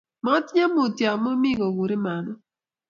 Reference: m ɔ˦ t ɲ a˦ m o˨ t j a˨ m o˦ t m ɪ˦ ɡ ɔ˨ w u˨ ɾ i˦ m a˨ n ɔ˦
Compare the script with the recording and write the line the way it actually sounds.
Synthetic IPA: m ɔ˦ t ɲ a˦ m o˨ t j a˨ m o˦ m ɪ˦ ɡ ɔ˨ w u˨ ɾ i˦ m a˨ n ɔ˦